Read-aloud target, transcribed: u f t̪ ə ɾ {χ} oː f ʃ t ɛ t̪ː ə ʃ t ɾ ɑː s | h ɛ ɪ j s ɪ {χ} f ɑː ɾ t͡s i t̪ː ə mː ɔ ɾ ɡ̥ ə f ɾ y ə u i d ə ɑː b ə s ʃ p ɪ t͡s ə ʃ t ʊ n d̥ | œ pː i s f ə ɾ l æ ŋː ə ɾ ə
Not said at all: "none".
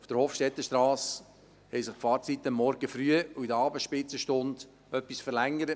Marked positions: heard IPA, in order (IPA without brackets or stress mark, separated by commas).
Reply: h, χ